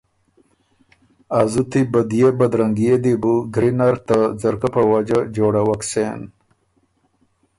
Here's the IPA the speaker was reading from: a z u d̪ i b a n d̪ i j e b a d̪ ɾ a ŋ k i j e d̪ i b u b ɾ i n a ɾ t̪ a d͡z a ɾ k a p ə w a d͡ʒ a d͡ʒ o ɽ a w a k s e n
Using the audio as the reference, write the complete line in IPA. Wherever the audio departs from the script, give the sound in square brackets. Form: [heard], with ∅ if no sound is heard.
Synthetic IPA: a z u [t̪] i b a [∅] d̪ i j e b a d̪ ɾ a ŋ [ɡ] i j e d̪ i b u [ɡ] ɾ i n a ɾ t̪ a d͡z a ɾ k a p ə w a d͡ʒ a d͡ʒ o ɽ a w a k s e n

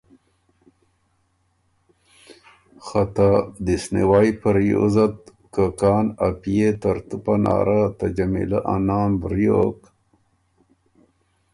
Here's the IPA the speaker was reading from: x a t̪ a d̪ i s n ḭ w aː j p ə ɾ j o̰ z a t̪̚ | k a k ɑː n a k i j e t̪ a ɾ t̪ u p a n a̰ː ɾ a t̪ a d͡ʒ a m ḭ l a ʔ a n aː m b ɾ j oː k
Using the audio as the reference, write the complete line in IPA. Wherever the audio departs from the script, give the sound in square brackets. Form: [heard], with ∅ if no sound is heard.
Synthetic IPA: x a t̪ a d̪ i s n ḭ w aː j p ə ɾ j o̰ z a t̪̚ | k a k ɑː n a [p] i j e t̪ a ɾ t̪ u p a n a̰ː ɾ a t̪ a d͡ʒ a m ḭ l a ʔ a n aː m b ɾ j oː k

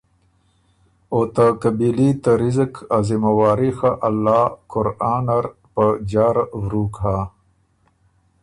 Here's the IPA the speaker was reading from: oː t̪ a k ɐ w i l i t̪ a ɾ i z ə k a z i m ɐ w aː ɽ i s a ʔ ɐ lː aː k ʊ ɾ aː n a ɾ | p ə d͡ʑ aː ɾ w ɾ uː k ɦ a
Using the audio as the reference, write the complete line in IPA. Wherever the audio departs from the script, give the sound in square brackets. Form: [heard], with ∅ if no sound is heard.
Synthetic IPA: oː t̪ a k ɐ [b] i l i t̪ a ɾ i z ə k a z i m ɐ w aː [ɾ] i [x] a ʔ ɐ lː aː k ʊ ɾ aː n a ɾ | p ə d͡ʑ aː ɾ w ɾ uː k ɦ a

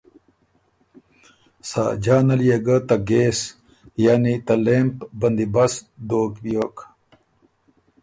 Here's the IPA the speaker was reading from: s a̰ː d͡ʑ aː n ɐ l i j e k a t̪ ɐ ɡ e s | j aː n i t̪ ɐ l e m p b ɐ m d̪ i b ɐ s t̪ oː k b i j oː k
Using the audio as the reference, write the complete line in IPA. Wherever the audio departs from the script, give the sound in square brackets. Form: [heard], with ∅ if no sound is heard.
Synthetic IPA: s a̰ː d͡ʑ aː n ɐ l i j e [ɡ] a t̪ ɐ ɡ e s | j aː n i t̪ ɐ l e m p b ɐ [n] d̪ i b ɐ s [d̪] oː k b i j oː k

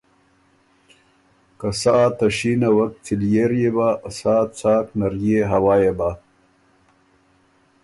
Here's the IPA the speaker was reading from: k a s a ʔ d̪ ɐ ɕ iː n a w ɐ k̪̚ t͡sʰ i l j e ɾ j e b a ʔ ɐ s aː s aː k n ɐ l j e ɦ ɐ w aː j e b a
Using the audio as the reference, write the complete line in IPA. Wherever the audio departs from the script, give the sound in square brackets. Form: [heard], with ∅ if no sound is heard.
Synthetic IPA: k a s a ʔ [t̪] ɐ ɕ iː n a w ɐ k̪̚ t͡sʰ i l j e ɾ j e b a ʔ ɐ s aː [t͡s] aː k n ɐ [ɾ] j e ɦ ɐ w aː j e b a

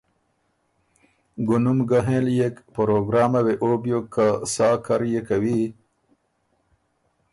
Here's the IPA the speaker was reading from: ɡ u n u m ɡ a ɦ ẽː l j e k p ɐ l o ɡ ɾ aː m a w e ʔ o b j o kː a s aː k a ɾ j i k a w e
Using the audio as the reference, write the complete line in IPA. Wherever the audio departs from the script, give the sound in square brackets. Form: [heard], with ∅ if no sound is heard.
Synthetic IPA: ɡ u n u m ɡ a ɦ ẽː l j e k p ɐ [ɾ] o ɡ ɾ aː m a w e ʔ o b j o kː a s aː k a ɾ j [e] k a w [i]

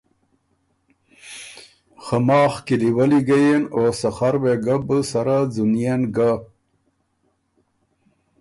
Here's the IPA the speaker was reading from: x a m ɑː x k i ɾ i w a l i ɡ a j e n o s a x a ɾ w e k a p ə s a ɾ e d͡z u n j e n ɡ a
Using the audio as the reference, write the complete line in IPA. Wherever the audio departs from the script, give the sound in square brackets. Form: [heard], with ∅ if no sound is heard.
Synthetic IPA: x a m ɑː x k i [l] i w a l i ɡ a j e n o s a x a ɾ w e [ɡ] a [b] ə s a ɾ [a] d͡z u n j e n ɡ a

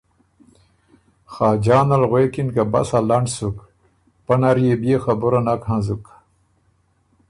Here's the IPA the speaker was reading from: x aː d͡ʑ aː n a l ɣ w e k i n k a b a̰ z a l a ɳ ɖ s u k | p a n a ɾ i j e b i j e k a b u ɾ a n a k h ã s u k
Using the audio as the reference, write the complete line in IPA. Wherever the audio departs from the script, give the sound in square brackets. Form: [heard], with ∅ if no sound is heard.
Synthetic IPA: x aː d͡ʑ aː n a l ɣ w e k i n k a b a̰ [s] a l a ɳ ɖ s u k | p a n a ɾ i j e b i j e [x] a b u ɾ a n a k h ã [z] u k

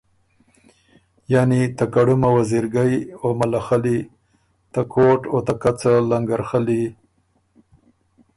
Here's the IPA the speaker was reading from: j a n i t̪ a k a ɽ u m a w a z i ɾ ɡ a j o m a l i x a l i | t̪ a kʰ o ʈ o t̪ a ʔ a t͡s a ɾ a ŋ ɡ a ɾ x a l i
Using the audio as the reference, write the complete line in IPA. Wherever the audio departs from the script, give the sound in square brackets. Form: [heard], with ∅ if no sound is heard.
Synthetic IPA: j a n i t̪ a k a ɽ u m a w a z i ɾ ɡ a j o m a l [a] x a l i | t̪ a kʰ o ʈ o t̪ a [k] a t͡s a [l] a ŋ ɡ a ɾ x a l i

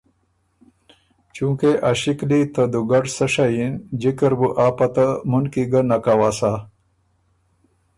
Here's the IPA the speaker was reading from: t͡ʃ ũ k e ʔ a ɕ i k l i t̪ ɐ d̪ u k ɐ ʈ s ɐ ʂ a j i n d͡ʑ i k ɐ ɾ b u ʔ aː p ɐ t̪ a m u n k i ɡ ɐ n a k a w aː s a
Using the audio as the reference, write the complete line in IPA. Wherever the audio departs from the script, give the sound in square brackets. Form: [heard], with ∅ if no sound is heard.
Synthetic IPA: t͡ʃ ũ k e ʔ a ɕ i k l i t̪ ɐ d̪ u [ɡ] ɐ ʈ s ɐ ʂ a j i n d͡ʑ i k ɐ ɾ b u ʔ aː p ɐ t̪ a m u n k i ɡ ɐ n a k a w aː s a

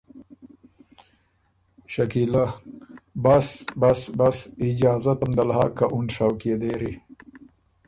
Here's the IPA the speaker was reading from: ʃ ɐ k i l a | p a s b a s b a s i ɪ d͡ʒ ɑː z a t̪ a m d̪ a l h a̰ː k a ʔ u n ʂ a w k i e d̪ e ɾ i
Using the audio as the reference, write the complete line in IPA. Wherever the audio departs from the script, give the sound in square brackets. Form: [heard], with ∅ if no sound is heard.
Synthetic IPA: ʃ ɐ k i l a | [b] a s b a s b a s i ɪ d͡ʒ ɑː z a t̪ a m d̪ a l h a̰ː k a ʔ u n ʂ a w k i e d̪ e ɾ i

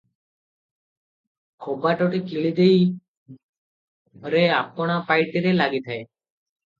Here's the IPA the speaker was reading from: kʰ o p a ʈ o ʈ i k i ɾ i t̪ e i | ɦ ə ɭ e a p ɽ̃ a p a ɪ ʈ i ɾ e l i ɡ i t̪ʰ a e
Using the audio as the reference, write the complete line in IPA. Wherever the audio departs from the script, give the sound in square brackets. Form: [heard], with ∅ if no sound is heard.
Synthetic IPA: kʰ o [b] a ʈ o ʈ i k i [ɭ] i [d̪] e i | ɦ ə [ɾ] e a p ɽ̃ a p a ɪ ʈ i ɾ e l [a] ɡ i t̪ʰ a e

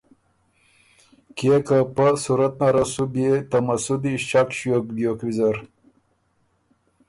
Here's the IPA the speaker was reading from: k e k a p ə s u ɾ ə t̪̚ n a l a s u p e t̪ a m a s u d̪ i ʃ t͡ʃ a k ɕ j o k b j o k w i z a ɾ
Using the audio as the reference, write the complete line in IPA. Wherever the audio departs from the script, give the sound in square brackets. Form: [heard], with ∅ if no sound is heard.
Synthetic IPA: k e k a p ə s u ɾ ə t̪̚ n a [ɾ] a s u [b] e t̪ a m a s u d̪ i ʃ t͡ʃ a k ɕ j o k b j o k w i z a ɾ

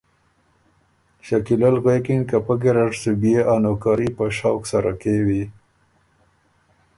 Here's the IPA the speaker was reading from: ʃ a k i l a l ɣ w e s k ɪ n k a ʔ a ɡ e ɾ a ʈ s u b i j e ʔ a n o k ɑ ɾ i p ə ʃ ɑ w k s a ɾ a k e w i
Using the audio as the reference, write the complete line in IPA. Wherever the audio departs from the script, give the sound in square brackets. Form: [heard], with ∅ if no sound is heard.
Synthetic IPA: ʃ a k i l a l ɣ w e [∅] k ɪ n k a [p] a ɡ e ɾ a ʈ s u b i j e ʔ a n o k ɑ ɾ i p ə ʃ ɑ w k s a ɾ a k e w i

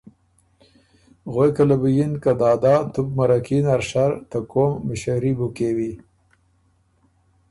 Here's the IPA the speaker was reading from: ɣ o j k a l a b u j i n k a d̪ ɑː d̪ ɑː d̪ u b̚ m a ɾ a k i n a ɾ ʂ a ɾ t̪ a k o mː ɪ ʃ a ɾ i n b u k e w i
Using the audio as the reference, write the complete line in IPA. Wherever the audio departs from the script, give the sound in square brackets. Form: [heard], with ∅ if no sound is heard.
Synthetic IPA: ɣ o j k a l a b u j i n k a d̪ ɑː d̪ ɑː [t̪] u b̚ m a ɾ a k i n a ɾ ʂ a ɾ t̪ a k o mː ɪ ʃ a ɾ i [∅] b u k e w i

